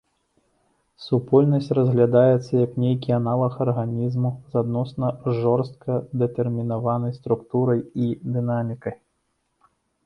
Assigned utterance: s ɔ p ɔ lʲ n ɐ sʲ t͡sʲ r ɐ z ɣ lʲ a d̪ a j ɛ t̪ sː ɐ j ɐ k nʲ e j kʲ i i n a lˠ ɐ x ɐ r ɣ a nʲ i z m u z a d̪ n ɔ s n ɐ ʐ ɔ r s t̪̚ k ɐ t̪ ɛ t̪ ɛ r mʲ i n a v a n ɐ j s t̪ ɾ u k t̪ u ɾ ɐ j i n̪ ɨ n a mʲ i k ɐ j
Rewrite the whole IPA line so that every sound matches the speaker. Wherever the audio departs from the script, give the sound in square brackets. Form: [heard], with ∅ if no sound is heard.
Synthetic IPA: s [u] p ɔ lʲ n ɐ sʲ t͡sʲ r ɐ z ɣ lʲ a d̪ a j ɛ t̪ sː ɐ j ɐ k nʲ e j kʲ i [a] n a lˠ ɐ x ɐ r ɣ a nʲ i z m u z a d̪ n ɔ s n ɐ ʐ ɔ r s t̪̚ k ɐ [d̪] ɛ t̪ ɛ r mʲ i n a v a n ɐ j s t̪ ɾ u k t̪ u ɾ ɐ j i [d̪] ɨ n a mʲ i k ɐ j